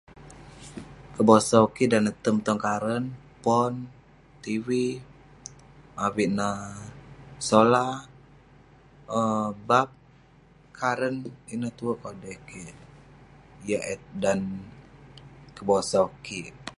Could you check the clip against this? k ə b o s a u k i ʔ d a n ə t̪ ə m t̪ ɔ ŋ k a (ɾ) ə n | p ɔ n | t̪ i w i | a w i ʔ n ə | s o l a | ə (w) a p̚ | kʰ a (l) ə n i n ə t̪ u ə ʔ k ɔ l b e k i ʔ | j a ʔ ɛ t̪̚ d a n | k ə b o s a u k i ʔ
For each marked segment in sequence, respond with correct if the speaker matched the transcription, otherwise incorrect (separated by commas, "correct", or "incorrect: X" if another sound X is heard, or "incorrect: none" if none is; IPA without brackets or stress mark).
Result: correct, incorrect: b, incorrect: ɾ